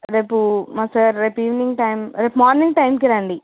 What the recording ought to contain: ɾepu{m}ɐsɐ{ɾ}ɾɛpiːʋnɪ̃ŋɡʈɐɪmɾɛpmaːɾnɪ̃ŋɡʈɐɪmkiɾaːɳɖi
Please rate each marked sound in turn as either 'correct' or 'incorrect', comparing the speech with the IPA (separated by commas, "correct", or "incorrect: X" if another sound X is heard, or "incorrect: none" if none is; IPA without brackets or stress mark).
correct, correct